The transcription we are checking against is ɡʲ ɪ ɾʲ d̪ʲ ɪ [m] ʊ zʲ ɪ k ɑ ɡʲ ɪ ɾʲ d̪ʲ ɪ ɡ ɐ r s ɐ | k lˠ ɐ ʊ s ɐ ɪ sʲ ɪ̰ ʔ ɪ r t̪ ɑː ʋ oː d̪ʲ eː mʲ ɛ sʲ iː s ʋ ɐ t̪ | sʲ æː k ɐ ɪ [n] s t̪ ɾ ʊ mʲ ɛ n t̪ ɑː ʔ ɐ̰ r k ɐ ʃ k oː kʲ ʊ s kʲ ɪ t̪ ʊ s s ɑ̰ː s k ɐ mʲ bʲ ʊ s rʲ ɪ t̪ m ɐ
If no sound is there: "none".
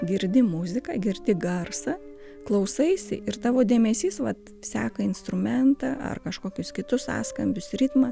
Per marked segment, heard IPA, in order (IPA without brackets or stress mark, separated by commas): m, n